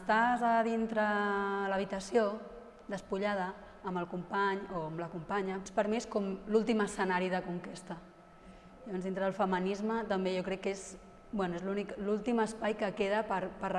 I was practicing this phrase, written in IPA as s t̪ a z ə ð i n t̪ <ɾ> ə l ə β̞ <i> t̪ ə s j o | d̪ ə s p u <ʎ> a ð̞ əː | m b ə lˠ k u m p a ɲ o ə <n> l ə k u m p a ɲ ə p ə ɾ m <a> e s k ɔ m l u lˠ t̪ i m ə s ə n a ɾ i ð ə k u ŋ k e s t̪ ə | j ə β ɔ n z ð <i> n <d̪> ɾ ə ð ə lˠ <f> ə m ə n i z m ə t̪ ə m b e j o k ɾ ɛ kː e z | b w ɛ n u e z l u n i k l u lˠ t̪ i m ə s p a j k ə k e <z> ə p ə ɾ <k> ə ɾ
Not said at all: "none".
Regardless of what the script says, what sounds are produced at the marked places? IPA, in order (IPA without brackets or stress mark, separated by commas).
ɾ, i, ʎ, m, i, i, t̪, f, ð, p